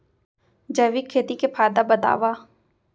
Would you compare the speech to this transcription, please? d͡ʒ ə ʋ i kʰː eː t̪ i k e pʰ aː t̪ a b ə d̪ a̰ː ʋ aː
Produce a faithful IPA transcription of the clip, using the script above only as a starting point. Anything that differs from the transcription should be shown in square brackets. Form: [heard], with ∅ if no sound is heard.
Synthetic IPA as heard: d͡ʒ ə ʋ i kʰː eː t̪ i k e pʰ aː [d̪] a b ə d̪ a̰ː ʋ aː